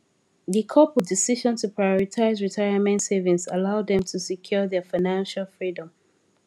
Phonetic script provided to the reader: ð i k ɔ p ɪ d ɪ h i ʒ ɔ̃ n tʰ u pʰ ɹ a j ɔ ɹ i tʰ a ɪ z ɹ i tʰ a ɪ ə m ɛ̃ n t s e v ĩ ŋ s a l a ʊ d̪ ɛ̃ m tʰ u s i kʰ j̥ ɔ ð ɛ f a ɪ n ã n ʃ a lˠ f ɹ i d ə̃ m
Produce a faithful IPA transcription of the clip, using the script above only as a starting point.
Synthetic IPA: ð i kʰ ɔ p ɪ d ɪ s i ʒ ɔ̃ n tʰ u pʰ ɹ a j ɔ ɹ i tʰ a ɪ z ɹ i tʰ a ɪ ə m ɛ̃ n t s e v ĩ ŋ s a l a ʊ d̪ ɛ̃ m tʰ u s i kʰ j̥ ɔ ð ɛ f a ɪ n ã n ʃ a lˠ f ɹ i d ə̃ m